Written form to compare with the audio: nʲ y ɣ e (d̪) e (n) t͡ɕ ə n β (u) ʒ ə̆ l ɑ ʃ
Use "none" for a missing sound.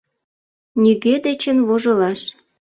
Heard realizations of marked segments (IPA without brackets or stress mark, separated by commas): d̪, none, o